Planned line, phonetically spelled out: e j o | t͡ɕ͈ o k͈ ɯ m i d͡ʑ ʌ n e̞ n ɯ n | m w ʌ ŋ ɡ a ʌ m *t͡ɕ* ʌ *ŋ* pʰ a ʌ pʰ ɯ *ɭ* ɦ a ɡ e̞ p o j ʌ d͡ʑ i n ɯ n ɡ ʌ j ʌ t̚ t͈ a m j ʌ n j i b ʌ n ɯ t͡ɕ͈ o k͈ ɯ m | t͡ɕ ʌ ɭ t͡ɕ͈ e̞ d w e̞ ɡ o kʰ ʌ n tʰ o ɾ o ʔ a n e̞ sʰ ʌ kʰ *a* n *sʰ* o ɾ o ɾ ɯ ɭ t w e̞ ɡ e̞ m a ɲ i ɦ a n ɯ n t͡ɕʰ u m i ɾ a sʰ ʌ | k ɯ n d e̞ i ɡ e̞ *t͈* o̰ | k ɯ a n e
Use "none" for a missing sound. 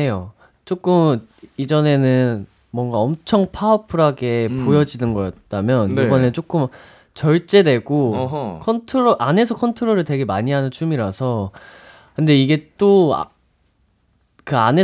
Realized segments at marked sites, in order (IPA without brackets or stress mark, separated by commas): t͡ɕʰ, ŋ, ɾ, ʌ, tʰ, t͈